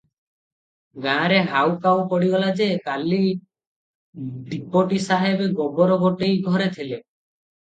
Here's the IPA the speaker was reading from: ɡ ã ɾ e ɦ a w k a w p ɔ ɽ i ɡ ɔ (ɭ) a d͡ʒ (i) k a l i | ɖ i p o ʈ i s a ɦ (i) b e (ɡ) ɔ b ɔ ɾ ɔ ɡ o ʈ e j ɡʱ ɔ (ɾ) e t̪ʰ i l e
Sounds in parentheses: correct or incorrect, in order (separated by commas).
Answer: incorrect, incorrect, incorrect, correct, correct